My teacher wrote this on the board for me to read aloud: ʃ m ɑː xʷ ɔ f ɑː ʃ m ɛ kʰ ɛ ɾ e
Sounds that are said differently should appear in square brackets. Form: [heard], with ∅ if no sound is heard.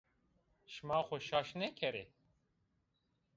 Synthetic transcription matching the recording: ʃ m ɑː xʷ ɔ [ʃ] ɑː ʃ [n] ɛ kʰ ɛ ɾ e